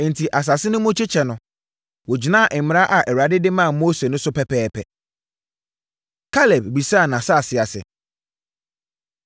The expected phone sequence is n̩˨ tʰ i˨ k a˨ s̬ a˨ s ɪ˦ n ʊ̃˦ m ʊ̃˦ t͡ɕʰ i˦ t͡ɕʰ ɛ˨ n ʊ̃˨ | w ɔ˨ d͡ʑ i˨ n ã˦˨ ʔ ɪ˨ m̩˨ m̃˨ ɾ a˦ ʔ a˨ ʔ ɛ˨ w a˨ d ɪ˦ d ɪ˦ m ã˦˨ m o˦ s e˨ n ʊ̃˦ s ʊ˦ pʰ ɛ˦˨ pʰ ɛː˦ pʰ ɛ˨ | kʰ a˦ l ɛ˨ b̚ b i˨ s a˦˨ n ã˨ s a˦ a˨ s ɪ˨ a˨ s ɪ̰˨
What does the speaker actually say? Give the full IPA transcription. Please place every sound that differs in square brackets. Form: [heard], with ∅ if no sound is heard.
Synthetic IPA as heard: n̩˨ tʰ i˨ [ʔ] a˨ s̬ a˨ s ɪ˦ n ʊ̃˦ m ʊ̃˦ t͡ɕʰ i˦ t͡ɕʰ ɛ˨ n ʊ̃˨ | w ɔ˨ d͡ʑ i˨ n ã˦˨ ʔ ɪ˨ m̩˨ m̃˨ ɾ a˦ ʔ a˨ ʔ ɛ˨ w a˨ d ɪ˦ d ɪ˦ m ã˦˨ m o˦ s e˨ n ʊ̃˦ s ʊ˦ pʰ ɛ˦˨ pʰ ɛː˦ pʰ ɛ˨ | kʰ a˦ l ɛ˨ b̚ b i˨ s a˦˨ n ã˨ s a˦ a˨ s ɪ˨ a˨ s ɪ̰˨